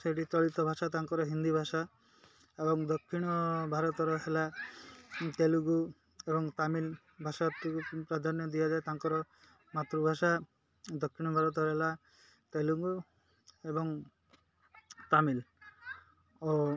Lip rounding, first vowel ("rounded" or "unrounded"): unrounded